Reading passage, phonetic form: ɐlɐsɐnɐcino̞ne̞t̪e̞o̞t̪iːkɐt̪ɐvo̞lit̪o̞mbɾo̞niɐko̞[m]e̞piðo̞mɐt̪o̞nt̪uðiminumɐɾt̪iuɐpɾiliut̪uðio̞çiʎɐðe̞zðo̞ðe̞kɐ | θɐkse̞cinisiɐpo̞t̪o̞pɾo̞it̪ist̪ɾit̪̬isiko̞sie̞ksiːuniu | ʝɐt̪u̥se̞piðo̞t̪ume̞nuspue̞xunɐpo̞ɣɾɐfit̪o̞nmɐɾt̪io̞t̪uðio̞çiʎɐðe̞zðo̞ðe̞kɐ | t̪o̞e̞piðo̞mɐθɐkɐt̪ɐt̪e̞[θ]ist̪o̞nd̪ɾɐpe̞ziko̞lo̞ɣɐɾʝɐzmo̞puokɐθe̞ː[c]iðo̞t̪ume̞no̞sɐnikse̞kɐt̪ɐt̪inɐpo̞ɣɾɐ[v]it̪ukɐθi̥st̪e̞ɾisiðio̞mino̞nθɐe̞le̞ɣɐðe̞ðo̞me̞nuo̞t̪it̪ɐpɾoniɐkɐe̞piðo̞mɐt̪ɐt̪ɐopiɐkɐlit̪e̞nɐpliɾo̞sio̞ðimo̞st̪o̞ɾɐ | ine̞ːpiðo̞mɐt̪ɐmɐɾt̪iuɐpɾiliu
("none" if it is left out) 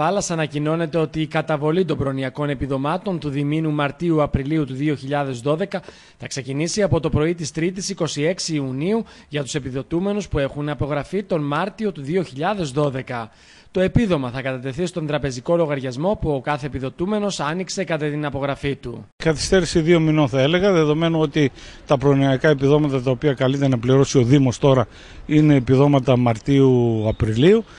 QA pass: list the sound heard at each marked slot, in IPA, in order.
n, θ, p, f

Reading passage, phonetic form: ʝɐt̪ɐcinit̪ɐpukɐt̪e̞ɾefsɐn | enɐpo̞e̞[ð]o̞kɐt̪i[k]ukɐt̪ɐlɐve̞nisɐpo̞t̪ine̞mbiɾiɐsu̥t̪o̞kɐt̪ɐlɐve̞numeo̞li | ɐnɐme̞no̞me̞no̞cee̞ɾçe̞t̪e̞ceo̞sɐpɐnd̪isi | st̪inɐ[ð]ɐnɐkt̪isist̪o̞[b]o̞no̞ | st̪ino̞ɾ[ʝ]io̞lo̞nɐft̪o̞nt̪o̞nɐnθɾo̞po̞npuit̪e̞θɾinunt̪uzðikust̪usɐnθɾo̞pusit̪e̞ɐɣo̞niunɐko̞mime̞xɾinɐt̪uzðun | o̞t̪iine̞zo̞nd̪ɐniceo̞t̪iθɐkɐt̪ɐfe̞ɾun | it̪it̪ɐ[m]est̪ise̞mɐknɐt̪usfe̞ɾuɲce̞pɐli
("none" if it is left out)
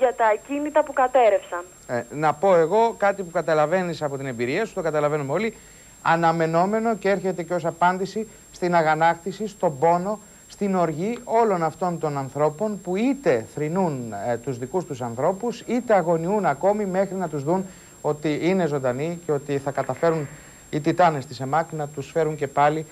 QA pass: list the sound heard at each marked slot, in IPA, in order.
ɣ, p, ɣ, b, ʝ, n

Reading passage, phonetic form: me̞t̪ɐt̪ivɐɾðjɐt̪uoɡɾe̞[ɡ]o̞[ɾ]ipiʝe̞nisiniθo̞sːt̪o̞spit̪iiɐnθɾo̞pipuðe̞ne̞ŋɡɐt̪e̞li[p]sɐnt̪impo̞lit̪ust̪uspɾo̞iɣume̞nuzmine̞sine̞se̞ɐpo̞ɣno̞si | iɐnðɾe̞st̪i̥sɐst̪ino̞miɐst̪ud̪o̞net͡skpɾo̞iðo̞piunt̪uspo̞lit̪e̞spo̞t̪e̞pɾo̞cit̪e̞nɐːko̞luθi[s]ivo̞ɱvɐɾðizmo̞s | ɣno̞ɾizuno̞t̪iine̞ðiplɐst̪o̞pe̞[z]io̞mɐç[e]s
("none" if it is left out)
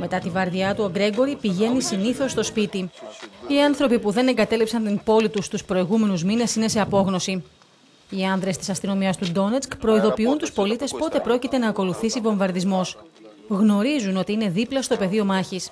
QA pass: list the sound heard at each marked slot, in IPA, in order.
ɡ, ɾ, p, s, ð, i

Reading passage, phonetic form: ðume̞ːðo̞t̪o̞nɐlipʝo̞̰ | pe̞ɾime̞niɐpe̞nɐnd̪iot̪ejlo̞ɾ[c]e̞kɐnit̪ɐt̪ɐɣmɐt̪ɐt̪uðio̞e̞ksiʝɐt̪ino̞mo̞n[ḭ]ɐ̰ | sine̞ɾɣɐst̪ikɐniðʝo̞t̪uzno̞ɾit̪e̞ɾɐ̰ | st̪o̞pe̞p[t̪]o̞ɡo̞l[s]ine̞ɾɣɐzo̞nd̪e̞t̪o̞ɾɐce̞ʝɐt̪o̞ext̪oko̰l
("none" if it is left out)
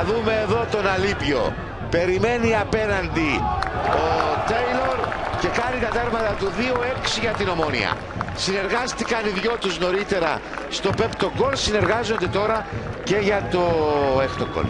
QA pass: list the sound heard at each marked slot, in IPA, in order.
c, ḭ, t̪, s

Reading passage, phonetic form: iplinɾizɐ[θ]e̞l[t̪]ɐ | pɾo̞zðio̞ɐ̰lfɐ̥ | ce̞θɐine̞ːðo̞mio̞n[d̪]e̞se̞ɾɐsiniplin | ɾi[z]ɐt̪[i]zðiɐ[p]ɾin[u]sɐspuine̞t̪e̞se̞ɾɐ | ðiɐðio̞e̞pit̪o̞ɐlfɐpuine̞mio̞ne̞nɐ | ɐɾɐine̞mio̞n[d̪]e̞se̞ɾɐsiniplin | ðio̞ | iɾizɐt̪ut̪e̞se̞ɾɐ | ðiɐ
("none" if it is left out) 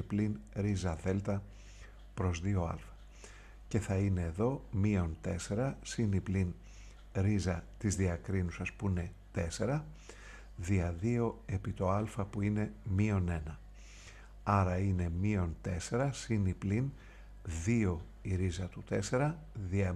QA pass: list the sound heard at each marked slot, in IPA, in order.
ð, t̪, t̪, z, i, k, u, t̪

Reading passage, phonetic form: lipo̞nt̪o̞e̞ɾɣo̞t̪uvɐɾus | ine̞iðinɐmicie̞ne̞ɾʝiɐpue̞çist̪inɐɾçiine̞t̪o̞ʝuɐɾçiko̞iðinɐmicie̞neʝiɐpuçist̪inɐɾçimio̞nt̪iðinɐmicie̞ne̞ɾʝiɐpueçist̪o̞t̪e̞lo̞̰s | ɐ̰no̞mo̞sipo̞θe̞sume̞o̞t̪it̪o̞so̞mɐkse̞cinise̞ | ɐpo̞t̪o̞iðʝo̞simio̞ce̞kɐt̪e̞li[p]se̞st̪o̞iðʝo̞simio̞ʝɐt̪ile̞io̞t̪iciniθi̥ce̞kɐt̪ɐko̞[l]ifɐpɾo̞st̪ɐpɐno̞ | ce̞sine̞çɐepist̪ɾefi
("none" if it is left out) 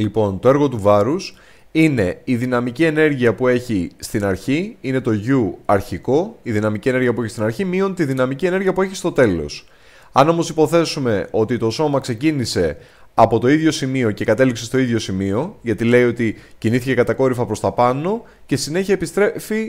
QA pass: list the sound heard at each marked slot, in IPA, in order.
k, ɾ

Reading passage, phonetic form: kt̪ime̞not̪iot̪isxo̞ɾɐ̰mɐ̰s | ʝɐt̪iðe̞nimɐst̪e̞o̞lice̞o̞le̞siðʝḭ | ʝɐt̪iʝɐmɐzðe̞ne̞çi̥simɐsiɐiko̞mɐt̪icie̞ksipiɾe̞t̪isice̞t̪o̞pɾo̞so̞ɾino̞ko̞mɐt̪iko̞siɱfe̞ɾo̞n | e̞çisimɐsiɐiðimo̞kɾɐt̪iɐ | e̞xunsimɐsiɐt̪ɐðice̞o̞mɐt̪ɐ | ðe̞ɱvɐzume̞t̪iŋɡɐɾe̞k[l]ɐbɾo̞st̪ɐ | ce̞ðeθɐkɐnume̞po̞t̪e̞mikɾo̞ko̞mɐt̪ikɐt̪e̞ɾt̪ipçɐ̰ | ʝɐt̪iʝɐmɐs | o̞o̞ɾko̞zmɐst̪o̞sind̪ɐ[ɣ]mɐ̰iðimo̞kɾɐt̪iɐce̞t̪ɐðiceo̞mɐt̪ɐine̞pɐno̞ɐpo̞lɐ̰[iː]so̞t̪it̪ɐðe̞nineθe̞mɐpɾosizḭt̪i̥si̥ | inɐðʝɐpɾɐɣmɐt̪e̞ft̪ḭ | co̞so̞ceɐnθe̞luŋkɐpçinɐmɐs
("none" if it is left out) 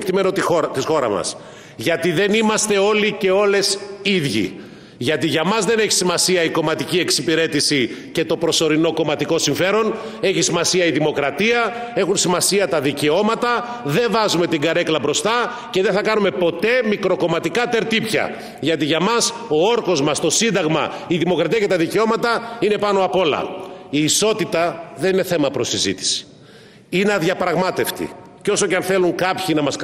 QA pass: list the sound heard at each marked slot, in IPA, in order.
l, ɣ, iː

